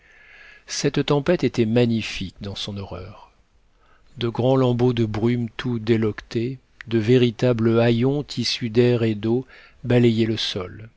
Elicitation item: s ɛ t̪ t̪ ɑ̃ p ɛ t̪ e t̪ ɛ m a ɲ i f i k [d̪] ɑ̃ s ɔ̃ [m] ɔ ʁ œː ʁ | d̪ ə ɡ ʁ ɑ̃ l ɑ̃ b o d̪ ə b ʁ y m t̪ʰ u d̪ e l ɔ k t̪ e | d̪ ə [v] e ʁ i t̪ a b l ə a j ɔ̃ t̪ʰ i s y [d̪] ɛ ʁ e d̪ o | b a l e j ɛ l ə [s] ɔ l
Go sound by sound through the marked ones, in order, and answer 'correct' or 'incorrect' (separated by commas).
correct, incorrect, correct, correct, correct